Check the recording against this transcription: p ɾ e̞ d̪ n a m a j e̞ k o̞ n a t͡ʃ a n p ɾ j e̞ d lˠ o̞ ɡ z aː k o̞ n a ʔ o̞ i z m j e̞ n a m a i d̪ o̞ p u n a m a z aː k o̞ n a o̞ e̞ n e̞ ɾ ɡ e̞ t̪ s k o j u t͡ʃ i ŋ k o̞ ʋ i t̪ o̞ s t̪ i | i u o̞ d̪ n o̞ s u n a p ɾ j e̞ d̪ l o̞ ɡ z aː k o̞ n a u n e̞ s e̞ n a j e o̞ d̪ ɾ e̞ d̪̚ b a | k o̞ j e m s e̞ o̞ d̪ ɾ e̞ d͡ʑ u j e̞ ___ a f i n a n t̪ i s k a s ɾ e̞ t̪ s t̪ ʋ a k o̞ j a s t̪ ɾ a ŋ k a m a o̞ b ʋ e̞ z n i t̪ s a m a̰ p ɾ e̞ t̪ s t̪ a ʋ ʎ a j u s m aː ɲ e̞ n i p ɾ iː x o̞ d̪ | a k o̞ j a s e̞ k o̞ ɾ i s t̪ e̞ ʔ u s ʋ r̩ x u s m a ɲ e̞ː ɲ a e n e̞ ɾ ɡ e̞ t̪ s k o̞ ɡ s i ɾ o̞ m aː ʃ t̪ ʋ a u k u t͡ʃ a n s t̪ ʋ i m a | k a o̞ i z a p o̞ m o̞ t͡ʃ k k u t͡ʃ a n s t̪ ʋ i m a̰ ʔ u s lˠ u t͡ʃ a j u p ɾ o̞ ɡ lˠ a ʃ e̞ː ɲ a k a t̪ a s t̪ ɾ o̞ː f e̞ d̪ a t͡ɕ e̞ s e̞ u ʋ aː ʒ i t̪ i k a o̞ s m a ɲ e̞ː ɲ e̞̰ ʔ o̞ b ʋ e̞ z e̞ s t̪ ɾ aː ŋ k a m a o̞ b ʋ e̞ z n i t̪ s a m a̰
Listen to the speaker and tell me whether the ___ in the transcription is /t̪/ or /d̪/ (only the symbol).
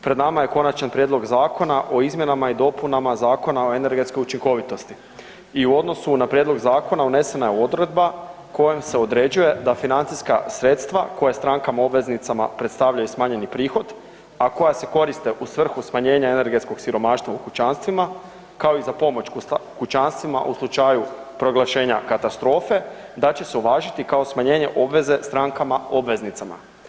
d̪